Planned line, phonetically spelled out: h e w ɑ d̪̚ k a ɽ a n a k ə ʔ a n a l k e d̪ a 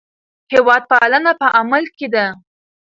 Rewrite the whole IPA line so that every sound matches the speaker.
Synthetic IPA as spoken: h e w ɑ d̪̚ p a l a n a p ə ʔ a m a l k e d̪ a

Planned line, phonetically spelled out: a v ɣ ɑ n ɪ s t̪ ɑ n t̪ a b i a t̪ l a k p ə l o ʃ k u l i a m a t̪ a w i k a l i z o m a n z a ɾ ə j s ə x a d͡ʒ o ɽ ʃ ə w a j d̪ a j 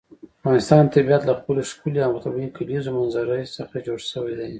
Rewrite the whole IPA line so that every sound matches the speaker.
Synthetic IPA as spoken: a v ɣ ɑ n ɪ s t̪ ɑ n t̪ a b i a t̪ l a x p ə l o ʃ k u l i a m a t̪ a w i k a l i z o m a n z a ɾ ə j s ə x a d͡ʒ o ɽ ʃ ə w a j d̪ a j

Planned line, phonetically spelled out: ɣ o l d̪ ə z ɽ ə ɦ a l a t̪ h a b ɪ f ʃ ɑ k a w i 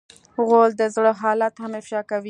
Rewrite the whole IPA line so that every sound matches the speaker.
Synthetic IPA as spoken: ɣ o l d̪ ə z ɽ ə ɦ ɑ l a t̪ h a m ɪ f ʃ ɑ k a w i

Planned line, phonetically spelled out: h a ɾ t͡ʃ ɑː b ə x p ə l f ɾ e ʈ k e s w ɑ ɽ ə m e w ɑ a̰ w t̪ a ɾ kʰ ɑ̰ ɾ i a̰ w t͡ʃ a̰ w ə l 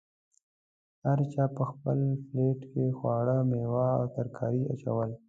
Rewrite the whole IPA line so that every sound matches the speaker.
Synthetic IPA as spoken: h a ɾ t͡ʃ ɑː p ə x p ə l f l e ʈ k e x w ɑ ɽ ə m e w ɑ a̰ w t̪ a ɾ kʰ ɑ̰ ɾ i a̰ t͡ʃ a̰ w ə l

